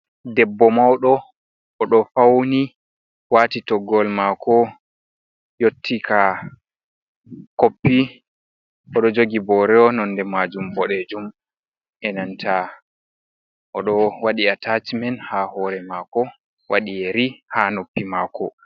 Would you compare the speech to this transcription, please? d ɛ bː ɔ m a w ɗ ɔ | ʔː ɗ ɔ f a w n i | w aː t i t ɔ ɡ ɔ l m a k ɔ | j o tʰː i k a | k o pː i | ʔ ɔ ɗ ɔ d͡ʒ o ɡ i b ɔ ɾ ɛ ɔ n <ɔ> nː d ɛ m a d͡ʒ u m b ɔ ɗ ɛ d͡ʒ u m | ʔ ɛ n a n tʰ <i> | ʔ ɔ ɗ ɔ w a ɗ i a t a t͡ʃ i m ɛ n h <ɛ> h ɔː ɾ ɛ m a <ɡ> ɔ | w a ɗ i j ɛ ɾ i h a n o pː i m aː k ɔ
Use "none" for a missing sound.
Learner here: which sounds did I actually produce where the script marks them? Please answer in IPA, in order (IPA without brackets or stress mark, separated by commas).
ɔ, a, a, k